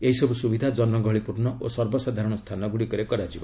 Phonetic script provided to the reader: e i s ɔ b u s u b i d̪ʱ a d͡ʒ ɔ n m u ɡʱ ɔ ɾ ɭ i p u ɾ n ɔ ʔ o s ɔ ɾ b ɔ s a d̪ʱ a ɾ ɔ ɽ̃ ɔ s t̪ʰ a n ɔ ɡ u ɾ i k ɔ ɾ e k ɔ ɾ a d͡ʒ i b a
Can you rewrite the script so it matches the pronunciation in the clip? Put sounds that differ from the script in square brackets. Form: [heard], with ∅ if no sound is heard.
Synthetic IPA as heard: e i s ɔ b u s u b i d̪ʱ a d͡ʒ ɔ n m [ɔ] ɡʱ ɔ [∅] ɭ i p u ɾ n ɔ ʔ o s ɔ ɾ b ɔ s a d̪ʱ a ɾ ɔ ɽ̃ ɔ s t̪ʰ a n ɔ ɡ u [ɽ] i k ɔ ɾ e k ɔ ɾ a d͡ʒ i b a